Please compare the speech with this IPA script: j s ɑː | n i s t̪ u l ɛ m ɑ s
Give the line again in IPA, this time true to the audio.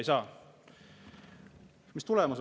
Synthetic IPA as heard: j s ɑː | m i s t̪ u l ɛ m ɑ s